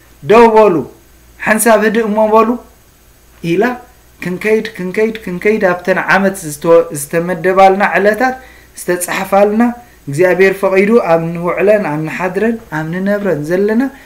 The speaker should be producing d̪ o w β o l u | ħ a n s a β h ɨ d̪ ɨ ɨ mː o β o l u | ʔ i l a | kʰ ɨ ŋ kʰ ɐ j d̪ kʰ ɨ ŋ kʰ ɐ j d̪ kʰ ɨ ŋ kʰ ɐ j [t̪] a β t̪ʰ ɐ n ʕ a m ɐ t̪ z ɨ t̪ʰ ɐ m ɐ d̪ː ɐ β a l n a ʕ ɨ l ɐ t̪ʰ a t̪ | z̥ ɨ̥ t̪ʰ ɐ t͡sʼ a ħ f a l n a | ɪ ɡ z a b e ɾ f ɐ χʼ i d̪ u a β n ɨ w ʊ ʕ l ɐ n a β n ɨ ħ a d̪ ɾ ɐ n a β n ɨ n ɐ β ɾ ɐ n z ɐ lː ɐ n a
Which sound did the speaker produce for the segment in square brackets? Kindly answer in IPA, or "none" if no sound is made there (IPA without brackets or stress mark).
d̪